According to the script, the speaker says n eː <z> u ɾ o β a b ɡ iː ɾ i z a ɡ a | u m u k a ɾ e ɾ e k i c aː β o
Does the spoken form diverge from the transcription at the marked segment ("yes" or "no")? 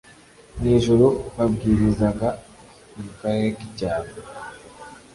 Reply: yes